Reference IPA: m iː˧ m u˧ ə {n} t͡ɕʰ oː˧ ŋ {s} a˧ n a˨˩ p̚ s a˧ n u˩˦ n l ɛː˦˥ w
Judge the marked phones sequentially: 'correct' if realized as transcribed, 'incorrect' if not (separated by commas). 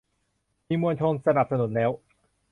correct, correct